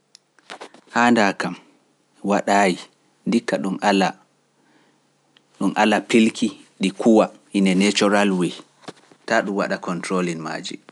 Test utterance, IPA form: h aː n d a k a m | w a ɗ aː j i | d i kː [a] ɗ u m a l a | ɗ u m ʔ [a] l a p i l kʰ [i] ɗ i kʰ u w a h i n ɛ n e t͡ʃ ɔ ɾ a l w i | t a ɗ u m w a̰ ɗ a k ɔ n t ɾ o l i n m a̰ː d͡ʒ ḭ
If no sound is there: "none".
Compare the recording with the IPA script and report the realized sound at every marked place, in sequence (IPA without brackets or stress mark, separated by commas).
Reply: a, a, i